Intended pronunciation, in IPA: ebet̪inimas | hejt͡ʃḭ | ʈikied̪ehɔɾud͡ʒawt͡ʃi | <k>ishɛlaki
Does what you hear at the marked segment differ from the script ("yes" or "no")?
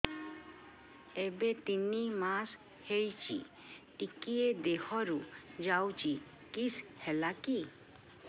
no